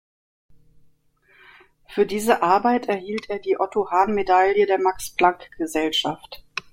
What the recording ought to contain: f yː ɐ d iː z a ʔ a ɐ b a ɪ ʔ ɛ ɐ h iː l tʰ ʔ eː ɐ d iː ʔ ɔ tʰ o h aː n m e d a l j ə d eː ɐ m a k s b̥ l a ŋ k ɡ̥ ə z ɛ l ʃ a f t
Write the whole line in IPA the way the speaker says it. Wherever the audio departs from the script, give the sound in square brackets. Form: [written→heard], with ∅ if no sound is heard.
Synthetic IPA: f yː ɐ d iː z [a→ə] ʔ a ɐ b a ɪ [ʔ→t] ɛ ɐ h iː l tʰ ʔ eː ɐ d iː ʔ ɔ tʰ o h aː n m e d a l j ə d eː ɐ m a k s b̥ l a ŋ k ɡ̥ ə z ɛ l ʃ a f t